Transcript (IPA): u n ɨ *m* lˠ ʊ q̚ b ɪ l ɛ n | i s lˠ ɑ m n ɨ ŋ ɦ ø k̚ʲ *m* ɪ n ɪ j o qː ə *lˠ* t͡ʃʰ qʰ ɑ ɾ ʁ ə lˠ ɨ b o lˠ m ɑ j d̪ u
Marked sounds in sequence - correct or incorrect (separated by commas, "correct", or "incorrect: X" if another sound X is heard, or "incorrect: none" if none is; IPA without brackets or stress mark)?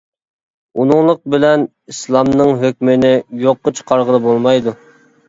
incorrect: ŋ, correct, incorrect: none